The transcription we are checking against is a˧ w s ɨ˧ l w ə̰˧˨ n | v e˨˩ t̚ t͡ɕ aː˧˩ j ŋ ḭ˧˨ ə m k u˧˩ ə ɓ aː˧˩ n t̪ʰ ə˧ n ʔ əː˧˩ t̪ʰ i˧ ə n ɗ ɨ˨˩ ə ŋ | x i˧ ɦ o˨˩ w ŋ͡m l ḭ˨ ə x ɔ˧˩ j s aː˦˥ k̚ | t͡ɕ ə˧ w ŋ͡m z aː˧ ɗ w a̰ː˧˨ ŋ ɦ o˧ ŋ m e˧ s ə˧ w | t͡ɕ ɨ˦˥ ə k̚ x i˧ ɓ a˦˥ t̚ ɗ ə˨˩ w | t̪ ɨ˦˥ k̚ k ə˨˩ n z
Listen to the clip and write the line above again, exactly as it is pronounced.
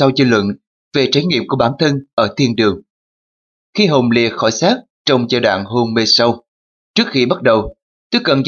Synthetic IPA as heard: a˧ w z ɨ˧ l w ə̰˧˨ n | v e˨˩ t͡ɕ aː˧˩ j ŋ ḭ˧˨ ə m k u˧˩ ə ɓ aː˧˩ n t̪ʰ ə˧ n ʔ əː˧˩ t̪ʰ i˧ ə n ɗ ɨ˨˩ ə ŋ | x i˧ ɦ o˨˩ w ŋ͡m l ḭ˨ ə x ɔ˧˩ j s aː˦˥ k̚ | t͡ɕ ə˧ w ŋ͡m z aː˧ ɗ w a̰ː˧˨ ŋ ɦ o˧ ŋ m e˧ s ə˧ w | t͡ɕ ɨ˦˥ ə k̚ x i˧ ɓ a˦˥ t̚ ɗ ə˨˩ w | t̪ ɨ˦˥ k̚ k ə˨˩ n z